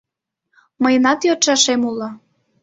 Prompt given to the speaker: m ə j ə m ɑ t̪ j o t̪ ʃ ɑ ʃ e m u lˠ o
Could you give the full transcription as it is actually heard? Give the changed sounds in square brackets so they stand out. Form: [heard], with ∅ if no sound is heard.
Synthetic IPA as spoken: m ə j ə [n] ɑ t̪ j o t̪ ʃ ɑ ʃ e m u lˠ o